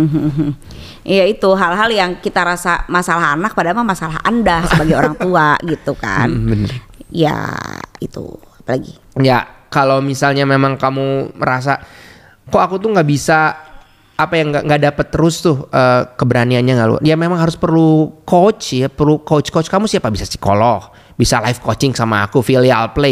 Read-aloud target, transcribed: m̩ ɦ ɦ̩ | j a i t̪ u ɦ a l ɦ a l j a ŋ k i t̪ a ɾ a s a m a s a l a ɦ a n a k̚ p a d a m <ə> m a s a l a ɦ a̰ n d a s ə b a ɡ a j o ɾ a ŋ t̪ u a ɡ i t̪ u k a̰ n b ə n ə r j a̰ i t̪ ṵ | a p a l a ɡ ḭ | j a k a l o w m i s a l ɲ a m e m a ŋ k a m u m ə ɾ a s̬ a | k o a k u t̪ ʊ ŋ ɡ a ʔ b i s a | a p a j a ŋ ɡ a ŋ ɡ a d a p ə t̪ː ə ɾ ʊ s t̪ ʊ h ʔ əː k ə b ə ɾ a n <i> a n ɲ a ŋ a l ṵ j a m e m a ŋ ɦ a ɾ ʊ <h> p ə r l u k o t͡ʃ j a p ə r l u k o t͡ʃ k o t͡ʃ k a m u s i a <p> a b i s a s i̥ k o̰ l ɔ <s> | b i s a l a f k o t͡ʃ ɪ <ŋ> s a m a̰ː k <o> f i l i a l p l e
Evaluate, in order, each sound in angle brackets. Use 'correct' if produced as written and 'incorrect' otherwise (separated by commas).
incorrect, correct, incorrect, correct, incorrect, correct, incorrect